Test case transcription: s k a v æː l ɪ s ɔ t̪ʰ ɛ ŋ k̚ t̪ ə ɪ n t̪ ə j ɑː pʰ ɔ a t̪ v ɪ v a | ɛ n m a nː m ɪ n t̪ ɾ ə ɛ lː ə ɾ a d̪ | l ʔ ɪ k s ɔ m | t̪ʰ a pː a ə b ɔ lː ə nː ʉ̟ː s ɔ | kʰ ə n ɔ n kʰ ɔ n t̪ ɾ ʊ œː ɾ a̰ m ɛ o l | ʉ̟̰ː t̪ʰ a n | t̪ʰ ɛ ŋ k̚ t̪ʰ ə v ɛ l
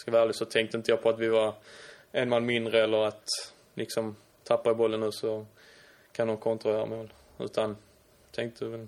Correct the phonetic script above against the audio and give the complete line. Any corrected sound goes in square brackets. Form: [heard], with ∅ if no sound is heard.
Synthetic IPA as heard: s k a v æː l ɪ s ɔ t̪ʰ ɛ ŋ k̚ t̪ ə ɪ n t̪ ə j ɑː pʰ ɔ a t̪ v ɪ v a | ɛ n m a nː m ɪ n [d̪] ɾ ə ɛ lː ə ɾ a [t̪] | l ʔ ɪ k s ɔ m | t̪ʰ a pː a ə b ɔ lː ə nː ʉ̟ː s ɔ | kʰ [a] n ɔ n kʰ ɔ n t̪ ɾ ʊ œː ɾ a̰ m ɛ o l | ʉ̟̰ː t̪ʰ a n | t̪ʰ ɛ ŋ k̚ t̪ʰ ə v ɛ l